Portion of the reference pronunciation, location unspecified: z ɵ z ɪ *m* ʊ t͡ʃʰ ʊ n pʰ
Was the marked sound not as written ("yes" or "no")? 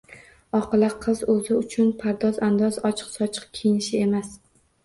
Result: yes